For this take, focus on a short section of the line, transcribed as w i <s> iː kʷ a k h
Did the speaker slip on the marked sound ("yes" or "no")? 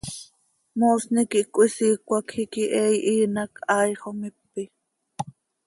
no